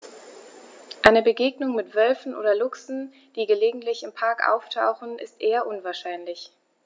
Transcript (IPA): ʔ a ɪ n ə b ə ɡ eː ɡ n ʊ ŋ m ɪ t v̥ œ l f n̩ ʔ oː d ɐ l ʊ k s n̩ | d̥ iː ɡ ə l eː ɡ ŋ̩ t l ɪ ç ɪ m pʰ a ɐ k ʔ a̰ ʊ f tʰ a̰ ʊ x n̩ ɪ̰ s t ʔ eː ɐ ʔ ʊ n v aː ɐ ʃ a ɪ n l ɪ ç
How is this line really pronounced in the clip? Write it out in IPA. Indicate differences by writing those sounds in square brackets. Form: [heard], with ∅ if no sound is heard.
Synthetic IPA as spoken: ʔ a ɪ n ə b ə ɡ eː ɡ n ʊ ŋ m ɪ t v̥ œ l f n̩ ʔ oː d ɐ l ʊ k s n̩ | d̥ iː ɡ ə l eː ɡ ŋ̩ t l ɪ ç ɪ m pʰ a ɐ k ʔ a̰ ʊ f tʰ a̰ ʊ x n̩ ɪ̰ s t ʔ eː ɐ ʔ ʊ n v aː ɐ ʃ a ɪ n l ɪ ç